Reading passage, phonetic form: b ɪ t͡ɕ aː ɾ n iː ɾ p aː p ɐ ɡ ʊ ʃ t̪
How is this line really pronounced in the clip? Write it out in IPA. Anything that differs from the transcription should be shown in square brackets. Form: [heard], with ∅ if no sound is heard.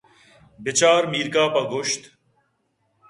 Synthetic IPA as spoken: b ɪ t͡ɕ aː ɾ [m] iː ɾ [k] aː p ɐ ɡ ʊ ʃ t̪